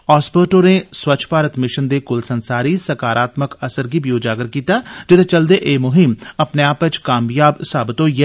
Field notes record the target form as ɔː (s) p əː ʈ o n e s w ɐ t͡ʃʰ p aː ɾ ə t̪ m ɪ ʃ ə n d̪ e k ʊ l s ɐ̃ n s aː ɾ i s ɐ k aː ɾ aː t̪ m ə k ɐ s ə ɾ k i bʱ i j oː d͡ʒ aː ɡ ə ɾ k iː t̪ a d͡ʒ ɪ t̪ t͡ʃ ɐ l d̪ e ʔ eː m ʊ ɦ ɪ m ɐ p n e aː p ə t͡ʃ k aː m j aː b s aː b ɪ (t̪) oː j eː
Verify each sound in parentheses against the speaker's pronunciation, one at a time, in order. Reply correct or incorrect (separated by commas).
correct, correct